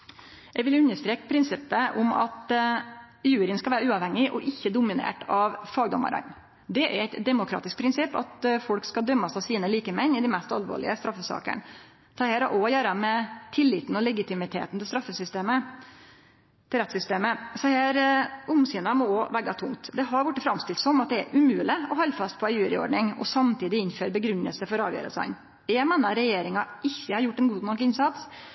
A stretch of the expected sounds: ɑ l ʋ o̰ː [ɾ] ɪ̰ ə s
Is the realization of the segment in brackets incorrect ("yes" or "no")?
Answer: yes